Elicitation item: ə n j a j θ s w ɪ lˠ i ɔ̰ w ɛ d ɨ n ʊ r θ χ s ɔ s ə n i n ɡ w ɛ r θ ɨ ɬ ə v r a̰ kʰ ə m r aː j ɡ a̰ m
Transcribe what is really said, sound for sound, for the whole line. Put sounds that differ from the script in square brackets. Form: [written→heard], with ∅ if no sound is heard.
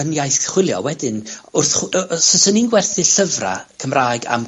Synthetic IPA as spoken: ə n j a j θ [s→χ] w ɪ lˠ [i→j] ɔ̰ w ɛ d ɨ n ʊ r θ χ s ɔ s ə n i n ɡ w ɛ r θ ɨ ɬ ə v r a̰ kʰ ə m r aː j ɡ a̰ m